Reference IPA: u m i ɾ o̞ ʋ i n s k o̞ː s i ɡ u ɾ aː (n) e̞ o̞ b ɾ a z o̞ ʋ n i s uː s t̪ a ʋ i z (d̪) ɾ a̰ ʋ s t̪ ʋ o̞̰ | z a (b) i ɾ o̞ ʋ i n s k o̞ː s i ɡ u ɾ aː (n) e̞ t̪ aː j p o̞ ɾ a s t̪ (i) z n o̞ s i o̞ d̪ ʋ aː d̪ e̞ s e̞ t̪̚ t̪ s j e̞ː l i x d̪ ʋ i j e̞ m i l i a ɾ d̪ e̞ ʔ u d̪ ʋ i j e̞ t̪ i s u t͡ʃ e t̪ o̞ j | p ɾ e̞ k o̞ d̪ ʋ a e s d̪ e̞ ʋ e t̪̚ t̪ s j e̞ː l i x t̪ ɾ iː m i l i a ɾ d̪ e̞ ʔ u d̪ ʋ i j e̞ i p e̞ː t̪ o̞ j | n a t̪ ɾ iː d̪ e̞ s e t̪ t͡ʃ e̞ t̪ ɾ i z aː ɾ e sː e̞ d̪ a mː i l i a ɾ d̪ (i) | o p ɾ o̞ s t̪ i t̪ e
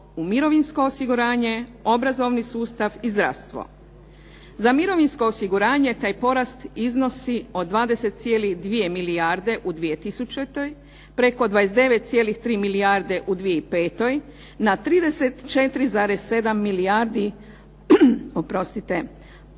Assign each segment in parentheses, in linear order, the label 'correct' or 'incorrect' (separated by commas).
incorrect, correct, incorrect, incorrect, correct, correct